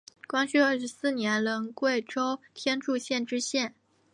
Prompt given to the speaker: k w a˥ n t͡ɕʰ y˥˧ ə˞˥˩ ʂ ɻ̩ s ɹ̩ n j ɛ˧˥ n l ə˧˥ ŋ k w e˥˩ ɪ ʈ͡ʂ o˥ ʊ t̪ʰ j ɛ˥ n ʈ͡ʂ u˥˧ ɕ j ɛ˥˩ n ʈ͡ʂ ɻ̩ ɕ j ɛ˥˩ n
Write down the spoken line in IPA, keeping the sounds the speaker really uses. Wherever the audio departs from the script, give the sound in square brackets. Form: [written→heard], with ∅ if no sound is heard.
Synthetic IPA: k w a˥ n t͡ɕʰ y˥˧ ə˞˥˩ ʂ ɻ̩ s ɹ̩ n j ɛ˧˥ n l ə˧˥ ŋ k w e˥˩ ɪ ʈ͡ʂ o˥ ʊ t̪ʰ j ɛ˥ n ʈ͡ʂ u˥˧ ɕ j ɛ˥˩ n ʈ͡ʂ ɻ̩ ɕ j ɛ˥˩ n